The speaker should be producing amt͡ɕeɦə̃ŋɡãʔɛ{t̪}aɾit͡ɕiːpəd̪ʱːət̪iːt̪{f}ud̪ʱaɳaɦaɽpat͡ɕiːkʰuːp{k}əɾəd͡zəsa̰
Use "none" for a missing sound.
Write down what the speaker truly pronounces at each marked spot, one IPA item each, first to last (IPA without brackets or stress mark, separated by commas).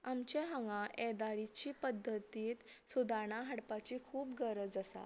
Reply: d̪, s, ɡ